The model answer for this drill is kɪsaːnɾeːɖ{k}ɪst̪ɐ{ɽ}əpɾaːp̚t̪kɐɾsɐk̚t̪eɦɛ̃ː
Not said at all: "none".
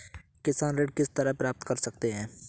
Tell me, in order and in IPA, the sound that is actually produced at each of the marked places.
k, ɾ

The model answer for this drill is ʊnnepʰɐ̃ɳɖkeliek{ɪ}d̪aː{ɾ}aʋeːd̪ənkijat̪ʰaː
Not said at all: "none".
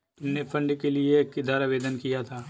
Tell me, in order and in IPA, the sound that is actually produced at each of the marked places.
ɪ, ɾ

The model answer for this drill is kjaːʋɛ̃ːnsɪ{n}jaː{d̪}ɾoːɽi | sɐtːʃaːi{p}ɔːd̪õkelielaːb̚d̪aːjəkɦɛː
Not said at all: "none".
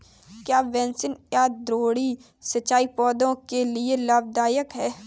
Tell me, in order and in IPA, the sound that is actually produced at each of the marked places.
n, d̪, p

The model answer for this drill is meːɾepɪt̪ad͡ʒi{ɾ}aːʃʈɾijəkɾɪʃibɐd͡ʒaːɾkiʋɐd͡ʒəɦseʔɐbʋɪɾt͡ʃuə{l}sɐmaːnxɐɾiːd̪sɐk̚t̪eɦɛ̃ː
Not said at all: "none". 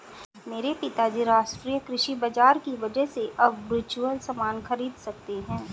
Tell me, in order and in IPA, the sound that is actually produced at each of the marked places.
ɾ, l

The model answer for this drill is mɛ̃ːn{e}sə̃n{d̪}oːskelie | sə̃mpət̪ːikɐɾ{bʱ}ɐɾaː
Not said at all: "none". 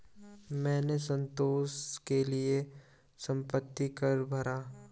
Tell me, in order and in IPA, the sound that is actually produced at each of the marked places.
e, t̪, bʱ

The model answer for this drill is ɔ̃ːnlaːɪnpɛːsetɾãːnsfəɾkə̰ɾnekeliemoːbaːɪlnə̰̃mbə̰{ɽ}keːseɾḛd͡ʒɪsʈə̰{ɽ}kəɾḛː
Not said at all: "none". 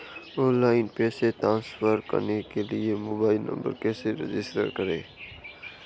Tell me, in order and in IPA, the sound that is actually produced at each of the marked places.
ɾ, ɾ

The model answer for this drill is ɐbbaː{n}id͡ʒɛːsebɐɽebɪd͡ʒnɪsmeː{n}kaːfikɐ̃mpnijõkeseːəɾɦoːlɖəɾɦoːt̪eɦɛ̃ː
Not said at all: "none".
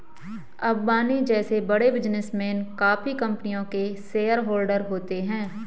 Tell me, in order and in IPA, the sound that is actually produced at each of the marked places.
n, n

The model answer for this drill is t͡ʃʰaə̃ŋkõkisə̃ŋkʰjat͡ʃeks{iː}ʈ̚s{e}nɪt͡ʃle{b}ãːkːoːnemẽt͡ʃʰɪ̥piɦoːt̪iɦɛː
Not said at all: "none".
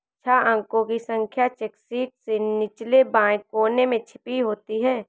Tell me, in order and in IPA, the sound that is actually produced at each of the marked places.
iː, e, b

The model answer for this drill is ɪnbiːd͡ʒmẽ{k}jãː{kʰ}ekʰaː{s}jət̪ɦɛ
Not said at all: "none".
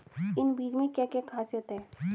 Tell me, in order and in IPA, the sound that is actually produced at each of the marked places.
k, k, s

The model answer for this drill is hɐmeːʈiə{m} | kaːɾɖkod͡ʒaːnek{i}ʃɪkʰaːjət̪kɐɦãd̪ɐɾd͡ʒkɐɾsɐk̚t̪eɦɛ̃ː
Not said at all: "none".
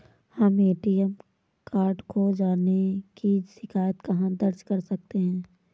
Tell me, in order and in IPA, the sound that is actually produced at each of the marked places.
m, i

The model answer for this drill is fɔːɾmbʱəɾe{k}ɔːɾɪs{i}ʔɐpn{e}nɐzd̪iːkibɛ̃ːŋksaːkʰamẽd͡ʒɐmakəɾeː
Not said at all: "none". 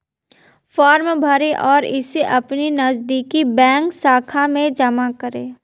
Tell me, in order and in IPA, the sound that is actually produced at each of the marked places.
ʔ, e, i

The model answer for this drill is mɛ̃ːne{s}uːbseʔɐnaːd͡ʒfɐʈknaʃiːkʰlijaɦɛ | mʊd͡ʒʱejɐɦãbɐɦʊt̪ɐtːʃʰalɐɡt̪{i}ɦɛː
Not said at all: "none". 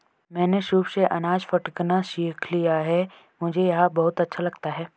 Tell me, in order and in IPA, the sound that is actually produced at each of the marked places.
ʃ, a

